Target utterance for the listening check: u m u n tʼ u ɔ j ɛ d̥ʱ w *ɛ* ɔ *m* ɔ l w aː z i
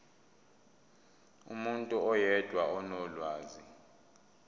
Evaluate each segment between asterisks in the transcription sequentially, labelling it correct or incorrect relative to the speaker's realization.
incorrect, incorrect

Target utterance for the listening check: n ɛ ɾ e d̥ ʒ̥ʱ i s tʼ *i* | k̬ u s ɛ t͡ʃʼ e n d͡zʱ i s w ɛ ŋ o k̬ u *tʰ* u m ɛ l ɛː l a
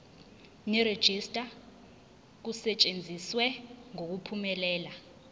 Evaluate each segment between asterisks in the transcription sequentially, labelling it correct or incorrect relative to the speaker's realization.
incorrect, incorrect

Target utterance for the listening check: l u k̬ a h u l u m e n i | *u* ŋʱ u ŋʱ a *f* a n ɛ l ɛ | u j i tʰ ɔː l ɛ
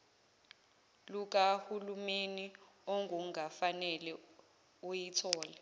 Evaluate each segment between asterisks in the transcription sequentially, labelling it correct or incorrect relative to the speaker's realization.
incorrect, correct

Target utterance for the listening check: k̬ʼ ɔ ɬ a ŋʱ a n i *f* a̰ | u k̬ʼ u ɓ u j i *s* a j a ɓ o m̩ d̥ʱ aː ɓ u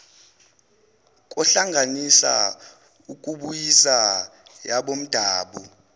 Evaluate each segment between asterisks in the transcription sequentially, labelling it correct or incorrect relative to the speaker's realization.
incorrect, correct

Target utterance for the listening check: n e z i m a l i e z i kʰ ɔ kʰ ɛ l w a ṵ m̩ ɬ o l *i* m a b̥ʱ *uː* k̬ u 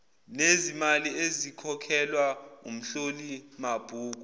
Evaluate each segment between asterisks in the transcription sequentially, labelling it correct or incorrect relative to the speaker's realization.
correct, correct

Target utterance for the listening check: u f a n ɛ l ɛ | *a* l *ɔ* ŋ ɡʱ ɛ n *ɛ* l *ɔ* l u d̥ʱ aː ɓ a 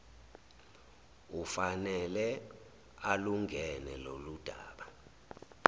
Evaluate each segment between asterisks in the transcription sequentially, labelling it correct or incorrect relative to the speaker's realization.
correct, incorrect, correct, incorrect

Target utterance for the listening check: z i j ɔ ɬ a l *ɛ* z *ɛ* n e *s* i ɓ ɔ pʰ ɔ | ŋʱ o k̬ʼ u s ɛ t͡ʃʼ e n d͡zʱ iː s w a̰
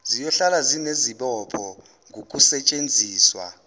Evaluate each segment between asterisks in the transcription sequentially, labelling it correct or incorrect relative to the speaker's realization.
incorrect, incorrect, incorrect

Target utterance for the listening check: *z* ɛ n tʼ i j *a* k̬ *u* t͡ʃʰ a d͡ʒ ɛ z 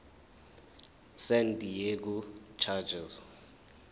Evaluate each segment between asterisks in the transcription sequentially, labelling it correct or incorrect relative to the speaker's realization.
incorrect, incorrect, correct

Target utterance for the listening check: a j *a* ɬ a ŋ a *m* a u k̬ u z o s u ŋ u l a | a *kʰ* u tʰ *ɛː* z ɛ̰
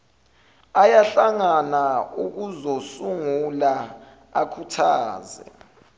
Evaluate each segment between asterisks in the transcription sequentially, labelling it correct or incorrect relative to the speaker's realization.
correct, incorrect, correct, incorrect

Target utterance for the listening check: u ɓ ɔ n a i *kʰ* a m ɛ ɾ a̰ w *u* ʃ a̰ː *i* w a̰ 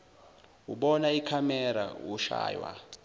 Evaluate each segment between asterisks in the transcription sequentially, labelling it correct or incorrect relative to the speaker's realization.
correct, correct, incorrect

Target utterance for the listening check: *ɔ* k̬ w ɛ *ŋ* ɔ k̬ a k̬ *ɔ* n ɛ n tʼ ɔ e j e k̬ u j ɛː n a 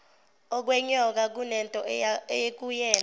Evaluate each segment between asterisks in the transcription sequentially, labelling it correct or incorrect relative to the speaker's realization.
correct, incorrect, incorrect

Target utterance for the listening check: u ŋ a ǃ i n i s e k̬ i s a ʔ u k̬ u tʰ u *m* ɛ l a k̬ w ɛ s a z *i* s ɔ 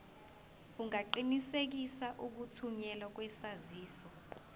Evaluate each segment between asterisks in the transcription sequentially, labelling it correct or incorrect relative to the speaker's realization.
incorrect, incorrect

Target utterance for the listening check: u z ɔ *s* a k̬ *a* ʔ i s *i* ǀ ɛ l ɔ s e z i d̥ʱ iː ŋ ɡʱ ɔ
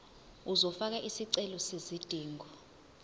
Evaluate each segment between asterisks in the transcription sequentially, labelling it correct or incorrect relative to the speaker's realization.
incorrect, correct, correct

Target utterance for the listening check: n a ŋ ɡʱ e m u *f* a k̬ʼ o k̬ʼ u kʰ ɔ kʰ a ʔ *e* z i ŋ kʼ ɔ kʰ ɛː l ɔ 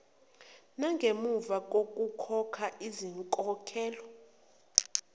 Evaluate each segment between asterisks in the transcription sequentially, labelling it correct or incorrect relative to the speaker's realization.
incorrect, incorrect

